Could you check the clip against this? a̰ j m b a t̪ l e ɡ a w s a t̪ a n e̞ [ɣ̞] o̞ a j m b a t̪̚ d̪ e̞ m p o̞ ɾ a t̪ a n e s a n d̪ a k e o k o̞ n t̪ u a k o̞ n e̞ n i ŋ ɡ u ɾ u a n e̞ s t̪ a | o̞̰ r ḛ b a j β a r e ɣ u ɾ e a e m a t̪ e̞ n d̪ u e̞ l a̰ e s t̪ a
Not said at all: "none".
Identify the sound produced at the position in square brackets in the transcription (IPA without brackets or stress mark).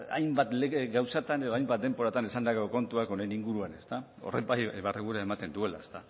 ð̞